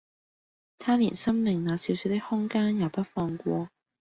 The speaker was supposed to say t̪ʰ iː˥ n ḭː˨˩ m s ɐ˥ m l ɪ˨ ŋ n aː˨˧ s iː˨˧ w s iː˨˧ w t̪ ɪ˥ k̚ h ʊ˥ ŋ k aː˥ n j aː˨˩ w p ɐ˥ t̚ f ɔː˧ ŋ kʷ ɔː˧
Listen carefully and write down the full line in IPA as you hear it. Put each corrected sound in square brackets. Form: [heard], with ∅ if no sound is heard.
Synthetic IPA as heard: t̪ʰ [aː˥] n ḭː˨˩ [n] s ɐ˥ m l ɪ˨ ŋ n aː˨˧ s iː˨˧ w s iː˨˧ w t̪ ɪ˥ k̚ h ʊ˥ ŋ k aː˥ n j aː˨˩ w p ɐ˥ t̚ f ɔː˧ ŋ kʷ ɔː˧